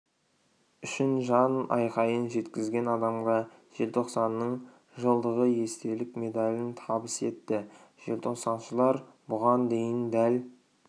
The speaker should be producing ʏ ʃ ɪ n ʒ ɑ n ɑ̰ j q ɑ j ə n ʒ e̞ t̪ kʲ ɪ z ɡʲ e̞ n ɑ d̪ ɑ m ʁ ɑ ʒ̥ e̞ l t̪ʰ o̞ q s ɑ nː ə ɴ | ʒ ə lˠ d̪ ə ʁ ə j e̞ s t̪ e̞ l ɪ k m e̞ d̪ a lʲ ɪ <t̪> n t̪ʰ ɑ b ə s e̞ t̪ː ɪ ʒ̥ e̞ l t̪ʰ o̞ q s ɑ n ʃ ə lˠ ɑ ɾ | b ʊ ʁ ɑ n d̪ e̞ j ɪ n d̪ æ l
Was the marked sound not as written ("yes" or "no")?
yes